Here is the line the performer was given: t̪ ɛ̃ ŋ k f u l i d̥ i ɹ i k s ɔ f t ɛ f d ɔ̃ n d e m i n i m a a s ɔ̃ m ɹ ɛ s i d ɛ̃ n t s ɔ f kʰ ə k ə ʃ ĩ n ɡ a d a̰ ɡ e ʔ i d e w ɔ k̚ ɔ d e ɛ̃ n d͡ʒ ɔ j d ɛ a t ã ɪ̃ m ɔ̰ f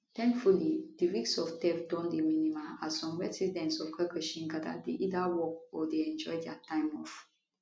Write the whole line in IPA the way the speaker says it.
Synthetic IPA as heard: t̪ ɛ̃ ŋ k f u l i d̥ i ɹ i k s ɔ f t ɛ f d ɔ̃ n d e m i n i m a a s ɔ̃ m ɹ ɛ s i d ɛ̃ n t s ɔ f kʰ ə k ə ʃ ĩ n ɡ a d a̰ d e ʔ i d a w ɔ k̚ ɔ d e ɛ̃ n d͡ʒ ɔ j d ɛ a t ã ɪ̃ m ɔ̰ f